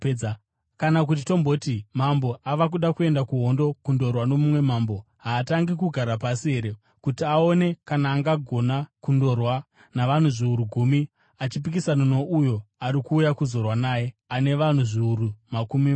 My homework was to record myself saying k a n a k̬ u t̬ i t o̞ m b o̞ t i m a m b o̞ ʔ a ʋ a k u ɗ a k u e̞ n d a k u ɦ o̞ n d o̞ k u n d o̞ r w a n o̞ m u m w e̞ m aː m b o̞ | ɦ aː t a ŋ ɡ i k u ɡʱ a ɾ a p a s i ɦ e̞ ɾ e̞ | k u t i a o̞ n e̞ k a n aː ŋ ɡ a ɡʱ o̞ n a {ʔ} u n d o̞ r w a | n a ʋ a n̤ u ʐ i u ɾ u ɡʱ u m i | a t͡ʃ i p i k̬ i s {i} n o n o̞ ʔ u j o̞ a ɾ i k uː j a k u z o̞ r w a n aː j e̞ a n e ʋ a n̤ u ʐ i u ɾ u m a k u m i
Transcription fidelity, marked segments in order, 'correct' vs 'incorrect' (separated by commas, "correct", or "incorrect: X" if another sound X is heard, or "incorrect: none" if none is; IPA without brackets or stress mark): incorrect: k, incorrect: a